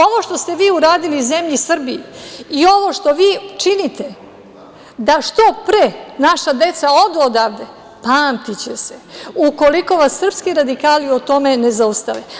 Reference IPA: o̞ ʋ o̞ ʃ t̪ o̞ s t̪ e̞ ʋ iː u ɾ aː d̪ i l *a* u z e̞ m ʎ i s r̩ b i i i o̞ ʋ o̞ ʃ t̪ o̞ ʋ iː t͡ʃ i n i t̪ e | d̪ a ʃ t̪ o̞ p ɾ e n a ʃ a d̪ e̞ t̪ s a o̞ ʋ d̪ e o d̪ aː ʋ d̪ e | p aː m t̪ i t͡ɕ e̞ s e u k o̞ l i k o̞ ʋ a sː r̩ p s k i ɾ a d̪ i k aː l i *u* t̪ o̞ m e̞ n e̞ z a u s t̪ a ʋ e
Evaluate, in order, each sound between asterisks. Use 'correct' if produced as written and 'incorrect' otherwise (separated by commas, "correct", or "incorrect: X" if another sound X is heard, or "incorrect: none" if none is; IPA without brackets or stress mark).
incorrect: i, incorrect: o